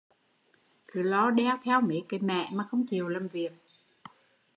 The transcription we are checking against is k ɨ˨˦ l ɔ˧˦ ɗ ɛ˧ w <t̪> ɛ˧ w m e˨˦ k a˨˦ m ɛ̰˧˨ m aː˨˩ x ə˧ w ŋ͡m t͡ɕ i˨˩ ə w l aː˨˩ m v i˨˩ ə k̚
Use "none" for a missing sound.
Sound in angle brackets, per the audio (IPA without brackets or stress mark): t̪ʰ